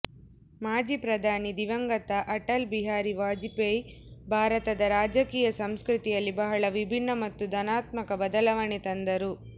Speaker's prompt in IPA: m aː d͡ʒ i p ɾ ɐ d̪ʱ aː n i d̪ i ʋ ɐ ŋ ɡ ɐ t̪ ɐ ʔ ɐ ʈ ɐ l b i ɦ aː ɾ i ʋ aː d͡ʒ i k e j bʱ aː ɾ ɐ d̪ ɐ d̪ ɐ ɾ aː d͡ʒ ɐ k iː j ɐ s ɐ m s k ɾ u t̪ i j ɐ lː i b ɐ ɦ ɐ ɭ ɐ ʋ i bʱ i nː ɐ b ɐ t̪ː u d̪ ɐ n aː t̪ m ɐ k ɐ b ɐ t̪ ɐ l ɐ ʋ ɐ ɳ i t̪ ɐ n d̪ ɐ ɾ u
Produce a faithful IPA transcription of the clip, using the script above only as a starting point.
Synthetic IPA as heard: m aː d͡ʒ i p ɾ ɐ d̪ʱ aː n i d̪ i ʋ ɐ ŋ ɡ ɐ t̪ ɐ ʔ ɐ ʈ ɐ l b i ɦ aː ɾ i ʋ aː d͡ʒ i p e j bʱ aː ɾ ɐ t̪ ɐ d̪ ɐ ɾ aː d͡ʒ ɐ k iː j ɐ s ɐ m s k ɾ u t̪ i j ɐ lː i b ɐ ɦ ɐ ɭ ɐ ʋ i bʱ i nː ɐ m ɐ t̪ː u d̪ ɐ n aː t̪ m ɐ k ɐ b ɐ d̪ ɐ l ɐ ʋ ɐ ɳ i t̪ ɐ n d̪ ɐ ɾ u